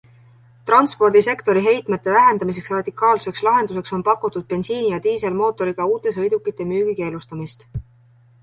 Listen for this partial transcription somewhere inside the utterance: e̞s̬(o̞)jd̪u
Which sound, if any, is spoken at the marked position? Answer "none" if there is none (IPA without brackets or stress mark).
ɤ̞